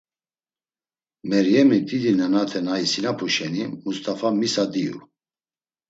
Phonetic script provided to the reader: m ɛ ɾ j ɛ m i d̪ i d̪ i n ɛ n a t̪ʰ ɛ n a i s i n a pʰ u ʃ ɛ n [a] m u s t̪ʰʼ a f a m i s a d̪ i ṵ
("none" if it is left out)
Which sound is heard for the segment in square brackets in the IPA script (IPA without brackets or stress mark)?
i